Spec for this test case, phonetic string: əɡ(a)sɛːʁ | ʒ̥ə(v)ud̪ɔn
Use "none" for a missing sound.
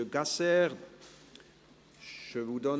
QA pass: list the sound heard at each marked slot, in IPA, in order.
a, v

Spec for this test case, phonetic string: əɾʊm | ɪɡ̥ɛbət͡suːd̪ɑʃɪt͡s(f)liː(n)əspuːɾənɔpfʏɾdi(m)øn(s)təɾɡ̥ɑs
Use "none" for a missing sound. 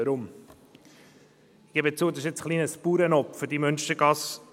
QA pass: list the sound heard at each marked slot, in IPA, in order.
χ, n, m, ʃ

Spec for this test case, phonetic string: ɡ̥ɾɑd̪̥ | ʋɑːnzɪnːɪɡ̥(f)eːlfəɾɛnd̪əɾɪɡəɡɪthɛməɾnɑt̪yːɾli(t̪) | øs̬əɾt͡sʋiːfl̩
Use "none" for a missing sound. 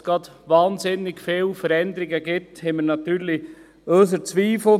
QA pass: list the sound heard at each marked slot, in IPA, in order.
f, none

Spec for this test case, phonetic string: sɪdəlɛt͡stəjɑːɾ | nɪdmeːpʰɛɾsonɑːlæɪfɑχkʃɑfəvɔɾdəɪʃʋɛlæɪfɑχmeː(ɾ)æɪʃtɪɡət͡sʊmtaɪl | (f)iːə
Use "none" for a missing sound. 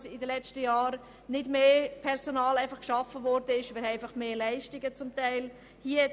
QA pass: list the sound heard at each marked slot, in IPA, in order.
l, h

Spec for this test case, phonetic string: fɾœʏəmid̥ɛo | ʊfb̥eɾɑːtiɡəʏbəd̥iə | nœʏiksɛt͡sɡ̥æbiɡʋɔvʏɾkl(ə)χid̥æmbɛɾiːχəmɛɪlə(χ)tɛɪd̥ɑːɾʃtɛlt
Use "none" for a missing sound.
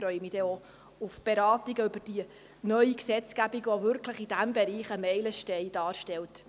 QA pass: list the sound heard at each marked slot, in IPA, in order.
ə, ʃ

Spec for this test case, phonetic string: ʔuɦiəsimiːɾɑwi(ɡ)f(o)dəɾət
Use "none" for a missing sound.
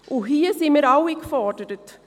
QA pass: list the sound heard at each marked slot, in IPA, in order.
k, ɔ

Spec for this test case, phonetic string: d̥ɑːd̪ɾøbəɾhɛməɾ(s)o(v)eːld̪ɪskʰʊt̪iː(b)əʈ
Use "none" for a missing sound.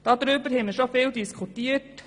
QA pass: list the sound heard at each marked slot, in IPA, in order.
ʃ, f, none

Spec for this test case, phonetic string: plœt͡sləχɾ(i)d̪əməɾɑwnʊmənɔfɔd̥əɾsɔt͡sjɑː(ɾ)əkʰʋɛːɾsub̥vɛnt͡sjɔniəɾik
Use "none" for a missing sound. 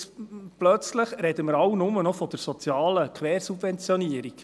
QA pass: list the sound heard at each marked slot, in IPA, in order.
ɛ, l

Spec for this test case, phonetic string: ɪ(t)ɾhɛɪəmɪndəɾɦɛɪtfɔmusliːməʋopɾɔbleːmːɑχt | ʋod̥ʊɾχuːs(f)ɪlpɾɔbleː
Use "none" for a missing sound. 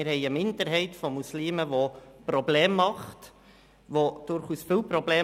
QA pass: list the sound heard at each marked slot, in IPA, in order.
none, f

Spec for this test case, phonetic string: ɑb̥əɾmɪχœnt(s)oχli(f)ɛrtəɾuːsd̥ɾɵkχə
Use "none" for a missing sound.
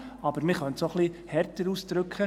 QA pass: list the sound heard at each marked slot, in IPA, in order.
s, h

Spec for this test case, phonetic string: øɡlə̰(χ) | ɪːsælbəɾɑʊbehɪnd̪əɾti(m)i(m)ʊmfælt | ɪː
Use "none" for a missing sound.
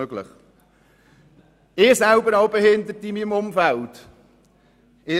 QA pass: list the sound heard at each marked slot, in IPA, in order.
χ, m, m

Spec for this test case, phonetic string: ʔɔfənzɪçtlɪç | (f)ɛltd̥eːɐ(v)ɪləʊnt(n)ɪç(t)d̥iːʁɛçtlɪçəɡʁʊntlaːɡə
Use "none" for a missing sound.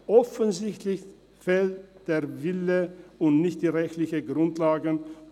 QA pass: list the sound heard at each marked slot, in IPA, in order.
f, v, n, t

